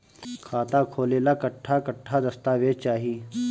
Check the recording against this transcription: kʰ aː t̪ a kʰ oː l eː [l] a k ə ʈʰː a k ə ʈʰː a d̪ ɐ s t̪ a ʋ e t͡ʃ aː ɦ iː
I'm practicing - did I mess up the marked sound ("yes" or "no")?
no